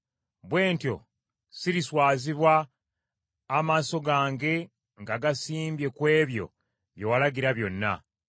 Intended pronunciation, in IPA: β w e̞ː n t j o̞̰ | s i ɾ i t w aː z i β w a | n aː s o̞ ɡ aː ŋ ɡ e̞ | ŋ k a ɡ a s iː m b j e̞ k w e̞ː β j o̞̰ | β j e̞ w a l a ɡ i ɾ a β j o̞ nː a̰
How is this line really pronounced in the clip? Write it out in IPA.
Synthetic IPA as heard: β w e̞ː n t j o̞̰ | s i ɾ i s w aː z i β w a | m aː s o̞ ɡ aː ŋ ɡ e̞ | ŋ ɡ a ɡ a s iː m b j e̞ k w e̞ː β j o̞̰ | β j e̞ w a l a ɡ i ɾ a β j o̞ nː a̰